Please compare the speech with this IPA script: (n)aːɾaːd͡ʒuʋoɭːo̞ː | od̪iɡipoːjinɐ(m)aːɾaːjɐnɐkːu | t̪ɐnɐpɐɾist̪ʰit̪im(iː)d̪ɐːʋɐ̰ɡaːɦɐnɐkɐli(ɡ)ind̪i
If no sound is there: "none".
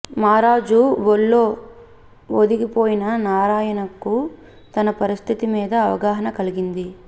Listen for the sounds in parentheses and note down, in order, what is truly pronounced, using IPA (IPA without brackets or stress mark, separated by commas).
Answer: m, n, iː, ɡ